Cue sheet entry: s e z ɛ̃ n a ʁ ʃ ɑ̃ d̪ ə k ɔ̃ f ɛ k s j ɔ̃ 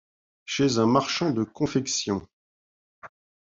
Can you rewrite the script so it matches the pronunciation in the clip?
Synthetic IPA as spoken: ʃ e z ɛ̃ m a ʁ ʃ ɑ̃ d̪ ə k ɔ̃ f ɛ k s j ɔ̃